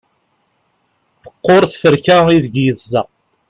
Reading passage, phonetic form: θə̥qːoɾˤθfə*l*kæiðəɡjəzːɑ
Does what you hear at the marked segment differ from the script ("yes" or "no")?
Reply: yes